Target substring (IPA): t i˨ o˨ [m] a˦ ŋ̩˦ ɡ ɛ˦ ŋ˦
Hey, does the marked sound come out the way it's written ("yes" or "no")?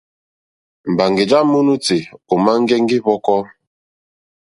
yes